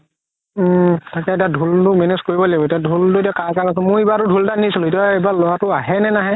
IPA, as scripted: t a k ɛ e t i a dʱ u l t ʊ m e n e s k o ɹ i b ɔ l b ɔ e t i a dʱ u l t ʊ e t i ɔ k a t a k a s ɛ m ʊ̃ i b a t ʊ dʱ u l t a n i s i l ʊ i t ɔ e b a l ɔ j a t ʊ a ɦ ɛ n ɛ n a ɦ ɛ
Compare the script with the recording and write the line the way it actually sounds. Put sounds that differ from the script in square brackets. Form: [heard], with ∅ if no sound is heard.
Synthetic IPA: t a k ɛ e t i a dʱ u l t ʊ m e n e s k o ɹ i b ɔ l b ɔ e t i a dʱ u l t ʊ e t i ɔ k a [k] a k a s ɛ m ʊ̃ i b a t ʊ dʱ u l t a n i s i l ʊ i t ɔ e b a l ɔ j a t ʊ a ɦ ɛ n ɛ n a ɦ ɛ

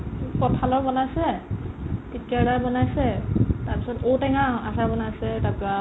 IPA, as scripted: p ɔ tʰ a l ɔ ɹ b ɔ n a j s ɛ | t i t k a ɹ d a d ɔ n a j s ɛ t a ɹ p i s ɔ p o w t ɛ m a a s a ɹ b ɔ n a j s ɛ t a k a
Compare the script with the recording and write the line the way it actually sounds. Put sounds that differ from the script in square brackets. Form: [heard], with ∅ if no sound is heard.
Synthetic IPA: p ɔ tʰ a l ɔ ɹ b ɔ n a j s ɛ | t i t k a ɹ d a [b] ɔ n a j s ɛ t a ɹ p i s ɔ [t] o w t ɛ [ŋ] a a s a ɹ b ɔ n a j s ɛ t a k a

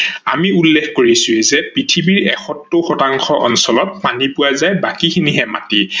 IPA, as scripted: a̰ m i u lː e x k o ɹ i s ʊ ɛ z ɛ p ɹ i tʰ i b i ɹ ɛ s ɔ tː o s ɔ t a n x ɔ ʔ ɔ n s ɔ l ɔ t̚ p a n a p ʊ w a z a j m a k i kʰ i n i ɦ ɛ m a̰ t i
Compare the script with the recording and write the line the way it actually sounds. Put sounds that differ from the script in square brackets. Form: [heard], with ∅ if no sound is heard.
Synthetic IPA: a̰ m i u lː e x k o ɹ i s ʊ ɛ z ɛ p ɹ i tʰ i b i ɹ ɛ [x] ɔ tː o [x] ɔ t a [ŋ] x ɔ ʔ ɔ n s ɔ l ɔ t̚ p a n [i] p ʊ w a z a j [b] a k i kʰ i n i ɦ ɛ m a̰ t i

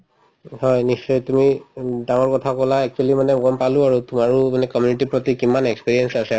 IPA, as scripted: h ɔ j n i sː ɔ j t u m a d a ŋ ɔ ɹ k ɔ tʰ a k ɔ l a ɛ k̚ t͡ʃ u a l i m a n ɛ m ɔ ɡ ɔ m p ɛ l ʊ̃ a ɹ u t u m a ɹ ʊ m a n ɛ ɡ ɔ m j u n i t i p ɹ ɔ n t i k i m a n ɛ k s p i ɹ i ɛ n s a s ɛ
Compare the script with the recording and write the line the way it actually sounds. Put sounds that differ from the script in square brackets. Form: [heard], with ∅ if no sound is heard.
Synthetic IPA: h ɔ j n i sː ɔ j t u m [i] d a ŋ ɔ ɹ k ɔ tʰ a k ɔ l a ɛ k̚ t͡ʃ u a l i m a n ɛ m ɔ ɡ ɔ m p [a] l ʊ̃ a ɹ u t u m a ɹ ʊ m a n ɛ [k] ɔ m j u n i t i p ɹ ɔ [∅] t i k i m a n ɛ k s p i ɹ i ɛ n s a s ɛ

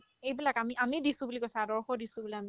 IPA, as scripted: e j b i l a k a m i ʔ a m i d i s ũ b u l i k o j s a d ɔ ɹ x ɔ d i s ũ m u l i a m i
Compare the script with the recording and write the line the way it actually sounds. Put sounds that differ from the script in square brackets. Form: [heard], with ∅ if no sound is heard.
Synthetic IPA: e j b i l a k a m i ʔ a m i d i s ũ b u l i k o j s a d ɔ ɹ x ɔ d i s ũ [b] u l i a m i

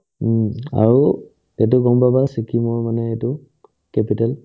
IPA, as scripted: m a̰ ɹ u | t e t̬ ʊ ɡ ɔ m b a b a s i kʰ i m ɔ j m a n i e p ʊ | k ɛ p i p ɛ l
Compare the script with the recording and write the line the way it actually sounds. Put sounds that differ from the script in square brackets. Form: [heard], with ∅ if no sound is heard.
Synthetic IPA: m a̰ ɹ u | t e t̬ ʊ ɡ ɔ m b a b a s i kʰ i m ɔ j m a n [ɛ] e [t] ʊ | k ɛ p i [t] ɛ l

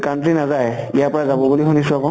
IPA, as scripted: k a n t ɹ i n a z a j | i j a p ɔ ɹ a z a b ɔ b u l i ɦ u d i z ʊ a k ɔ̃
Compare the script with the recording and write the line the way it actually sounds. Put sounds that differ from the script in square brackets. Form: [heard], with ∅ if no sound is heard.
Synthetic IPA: k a n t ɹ i n a z a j | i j a p ɔ ɹ a z a b ɔ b u l i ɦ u [n] i [s] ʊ a k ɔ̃

